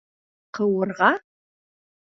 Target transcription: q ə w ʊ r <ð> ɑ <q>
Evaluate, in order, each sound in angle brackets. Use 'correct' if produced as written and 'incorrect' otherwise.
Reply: incorrect: ʁ, incorrect: none

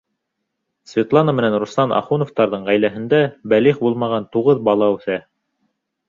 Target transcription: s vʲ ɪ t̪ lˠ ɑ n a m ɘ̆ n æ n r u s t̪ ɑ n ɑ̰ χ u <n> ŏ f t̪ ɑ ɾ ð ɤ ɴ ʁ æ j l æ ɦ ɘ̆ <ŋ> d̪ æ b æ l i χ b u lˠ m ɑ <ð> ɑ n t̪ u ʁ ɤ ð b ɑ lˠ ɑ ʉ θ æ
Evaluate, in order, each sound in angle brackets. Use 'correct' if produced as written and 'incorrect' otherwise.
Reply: correct, incorrect: n, incorrect: ʁ

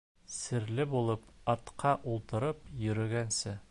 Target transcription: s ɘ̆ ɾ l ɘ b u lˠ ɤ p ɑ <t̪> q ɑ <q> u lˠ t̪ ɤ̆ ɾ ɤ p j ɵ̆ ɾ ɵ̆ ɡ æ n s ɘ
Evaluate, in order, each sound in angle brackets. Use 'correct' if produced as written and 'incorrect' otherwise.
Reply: correct, incorrect: ʔ

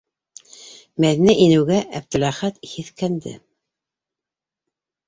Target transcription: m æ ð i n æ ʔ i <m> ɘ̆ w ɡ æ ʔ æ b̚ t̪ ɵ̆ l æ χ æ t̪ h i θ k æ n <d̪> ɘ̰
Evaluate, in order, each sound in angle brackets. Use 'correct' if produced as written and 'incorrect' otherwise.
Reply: incorrect: n, correct

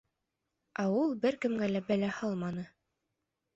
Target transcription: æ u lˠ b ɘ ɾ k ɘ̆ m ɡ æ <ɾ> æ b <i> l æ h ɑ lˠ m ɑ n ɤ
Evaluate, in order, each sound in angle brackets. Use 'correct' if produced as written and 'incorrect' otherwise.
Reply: incorrect: l, incorrect: æ

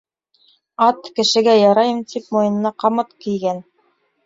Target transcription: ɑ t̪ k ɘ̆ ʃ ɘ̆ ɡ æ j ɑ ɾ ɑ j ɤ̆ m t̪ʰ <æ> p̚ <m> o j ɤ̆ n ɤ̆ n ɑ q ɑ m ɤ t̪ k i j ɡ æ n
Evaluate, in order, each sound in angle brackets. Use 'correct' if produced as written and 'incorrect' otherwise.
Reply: incorrect: i, correct

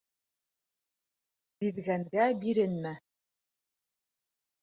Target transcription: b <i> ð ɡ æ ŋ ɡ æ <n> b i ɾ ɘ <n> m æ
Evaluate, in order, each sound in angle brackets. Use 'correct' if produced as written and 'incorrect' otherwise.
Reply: correct, incorrect: none, correct

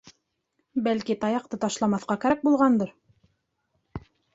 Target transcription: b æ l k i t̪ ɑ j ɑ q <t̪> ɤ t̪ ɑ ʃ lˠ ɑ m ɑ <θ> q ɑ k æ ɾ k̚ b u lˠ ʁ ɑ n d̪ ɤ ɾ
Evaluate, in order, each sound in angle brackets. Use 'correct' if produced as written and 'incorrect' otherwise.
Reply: correct, correct

